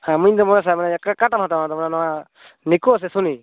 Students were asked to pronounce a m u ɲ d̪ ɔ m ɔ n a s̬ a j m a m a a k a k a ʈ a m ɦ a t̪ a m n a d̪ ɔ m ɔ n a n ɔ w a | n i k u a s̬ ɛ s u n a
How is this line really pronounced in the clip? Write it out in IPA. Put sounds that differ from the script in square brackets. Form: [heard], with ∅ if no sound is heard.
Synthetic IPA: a m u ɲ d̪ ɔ m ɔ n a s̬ a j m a [n] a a k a k a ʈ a m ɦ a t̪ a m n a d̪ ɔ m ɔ n a n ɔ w a | n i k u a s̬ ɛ s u n [i]